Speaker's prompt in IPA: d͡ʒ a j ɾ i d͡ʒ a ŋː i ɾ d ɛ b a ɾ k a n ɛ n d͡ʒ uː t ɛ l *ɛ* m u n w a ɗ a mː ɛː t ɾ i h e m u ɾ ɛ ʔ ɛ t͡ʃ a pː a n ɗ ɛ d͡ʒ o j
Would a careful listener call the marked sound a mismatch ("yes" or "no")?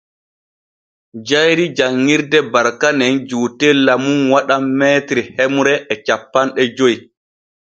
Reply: yes